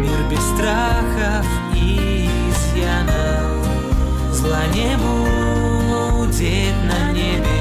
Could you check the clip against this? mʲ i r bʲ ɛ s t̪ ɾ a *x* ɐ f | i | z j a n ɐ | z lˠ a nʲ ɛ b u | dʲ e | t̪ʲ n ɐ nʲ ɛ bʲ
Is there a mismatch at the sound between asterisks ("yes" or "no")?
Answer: no